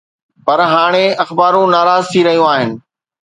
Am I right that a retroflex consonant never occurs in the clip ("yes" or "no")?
no